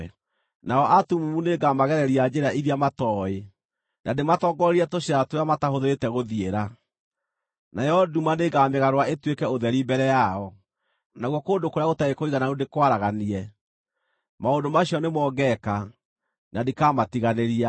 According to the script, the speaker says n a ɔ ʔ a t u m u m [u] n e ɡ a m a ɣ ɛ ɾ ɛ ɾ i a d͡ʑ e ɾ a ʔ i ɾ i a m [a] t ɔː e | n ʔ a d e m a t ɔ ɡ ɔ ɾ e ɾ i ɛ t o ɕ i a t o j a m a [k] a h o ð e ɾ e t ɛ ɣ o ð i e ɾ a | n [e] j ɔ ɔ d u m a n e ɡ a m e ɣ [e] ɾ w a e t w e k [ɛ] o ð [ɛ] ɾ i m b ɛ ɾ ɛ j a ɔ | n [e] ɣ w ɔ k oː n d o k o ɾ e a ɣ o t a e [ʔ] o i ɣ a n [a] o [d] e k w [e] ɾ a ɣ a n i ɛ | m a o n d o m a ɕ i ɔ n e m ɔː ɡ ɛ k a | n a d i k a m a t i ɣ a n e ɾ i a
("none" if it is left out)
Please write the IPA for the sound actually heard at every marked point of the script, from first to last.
u, a, t, a, a, ɛ, ɛ, a, k, a, d, a

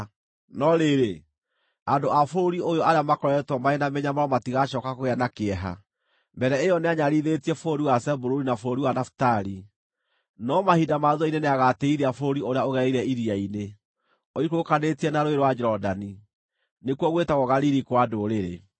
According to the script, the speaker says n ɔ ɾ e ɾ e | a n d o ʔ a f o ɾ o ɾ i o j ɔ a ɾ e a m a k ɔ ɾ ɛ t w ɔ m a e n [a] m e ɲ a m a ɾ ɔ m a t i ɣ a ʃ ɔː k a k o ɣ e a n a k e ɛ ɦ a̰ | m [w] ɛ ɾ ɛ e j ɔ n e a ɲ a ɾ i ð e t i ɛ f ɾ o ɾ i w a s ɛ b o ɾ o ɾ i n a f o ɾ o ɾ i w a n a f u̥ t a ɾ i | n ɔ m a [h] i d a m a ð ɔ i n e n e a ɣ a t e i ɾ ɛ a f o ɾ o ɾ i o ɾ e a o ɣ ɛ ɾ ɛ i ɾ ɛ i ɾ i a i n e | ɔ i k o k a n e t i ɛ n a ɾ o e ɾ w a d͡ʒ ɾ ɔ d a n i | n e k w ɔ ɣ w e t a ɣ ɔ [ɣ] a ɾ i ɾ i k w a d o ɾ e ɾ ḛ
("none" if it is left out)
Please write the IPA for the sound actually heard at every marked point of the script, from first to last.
a, b, h, ɣ

